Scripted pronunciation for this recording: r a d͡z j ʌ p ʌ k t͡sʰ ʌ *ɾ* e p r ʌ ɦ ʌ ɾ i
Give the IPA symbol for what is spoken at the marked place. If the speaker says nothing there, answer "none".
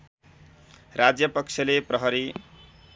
l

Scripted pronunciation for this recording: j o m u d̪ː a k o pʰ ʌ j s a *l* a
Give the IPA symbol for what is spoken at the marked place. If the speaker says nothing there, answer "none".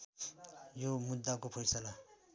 l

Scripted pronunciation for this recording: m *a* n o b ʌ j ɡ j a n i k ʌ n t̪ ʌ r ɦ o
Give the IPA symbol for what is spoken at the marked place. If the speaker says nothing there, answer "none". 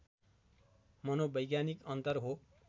ʌ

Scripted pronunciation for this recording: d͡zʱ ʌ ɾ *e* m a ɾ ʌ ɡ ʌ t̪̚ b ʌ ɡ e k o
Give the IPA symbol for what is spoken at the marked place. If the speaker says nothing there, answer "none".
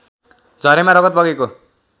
e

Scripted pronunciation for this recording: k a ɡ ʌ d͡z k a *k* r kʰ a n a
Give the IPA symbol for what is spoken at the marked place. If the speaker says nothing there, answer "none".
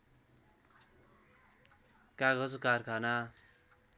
none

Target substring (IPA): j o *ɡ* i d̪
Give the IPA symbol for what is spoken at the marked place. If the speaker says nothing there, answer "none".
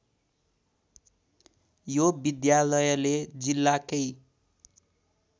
b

